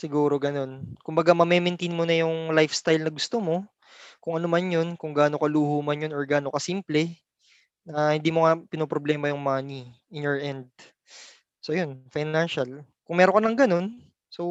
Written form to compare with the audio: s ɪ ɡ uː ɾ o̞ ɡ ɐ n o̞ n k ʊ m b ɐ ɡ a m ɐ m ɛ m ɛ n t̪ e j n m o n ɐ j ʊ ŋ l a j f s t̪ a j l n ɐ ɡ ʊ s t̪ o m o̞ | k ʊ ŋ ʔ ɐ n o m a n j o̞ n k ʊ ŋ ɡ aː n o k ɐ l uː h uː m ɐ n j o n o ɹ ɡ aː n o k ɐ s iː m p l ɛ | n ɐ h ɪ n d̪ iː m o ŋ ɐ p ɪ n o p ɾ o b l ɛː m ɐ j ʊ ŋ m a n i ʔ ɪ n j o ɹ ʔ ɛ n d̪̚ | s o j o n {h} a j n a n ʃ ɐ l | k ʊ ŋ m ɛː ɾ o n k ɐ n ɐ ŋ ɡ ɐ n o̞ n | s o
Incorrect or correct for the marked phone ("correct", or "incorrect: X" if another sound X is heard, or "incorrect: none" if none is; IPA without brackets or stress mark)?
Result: incorrect: f